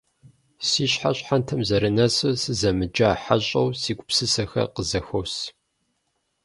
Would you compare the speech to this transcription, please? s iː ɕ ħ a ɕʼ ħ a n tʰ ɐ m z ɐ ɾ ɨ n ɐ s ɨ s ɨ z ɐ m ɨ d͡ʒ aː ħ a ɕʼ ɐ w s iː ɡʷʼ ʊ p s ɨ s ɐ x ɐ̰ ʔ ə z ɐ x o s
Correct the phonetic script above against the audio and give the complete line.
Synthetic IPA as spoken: s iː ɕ ħ a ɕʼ ħ a n tʰ ɐ m z ɐ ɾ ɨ n ɐ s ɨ s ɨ z ɐ m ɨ d͡ʒ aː ħ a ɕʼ ɐ w s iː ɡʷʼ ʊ p s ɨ s ɐ x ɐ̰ q ə z ɐ x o s